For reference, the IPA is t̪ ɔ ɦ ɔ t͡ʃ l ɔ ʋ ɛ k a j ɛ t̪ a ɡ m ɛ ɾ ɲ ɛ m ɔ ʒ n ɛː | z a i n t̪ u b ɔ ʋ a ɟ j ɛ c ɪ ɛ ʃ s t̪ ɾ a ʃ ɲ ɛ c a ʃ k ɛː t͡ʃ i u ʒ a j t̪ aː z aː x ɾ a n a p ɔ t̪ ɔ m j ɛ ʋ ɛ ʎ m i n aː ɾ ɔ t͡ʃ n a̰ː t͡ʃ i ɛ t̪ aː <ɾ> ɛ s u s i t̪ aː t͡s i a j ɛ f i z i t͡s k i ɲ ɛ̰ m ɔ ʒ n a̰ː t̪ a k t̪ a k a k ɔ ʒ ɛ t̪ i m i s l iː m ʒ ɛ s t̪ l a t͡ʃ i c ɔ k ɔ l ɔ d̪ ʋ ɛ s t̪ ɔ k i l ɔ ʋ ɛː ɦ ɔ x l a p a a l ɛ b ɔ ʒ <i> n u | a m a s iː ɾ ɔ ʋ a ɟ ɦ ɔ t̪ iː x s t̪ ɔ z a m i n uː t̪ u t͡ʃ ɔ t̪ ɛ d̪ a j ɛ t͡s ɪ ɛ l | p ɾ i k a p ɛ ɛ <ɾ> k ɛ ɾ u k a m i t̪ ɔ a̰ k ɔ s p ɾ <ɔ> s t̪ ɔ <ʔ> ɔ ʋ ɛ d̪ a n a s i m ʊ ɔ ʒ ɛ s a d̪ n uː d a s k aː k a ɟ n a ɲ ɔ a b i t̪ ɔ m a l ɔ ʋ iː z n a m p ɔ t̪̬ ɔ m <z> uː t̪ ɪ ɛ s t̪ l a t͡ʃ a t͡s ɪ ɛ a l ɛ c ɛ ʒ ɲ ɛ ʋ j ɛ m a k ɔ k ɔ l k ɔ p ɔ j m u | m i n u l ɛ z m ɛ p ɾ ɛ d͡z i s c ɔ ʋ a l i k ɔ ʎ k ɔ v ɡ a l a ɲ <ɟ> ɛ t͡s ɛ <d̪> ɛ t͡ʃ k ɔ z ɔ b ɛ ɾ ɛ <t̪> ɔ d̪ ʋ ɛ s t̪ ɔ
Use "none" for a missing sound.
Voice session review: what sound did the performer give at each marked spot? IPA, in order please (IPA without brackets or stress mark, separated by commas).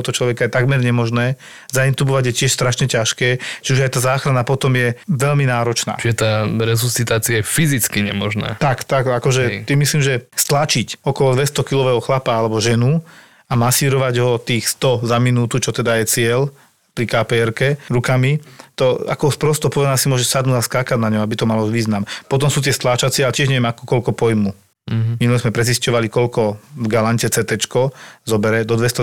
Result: ɾ, ɛ, ɾ, ɔ, p, s, c, t̪, d̪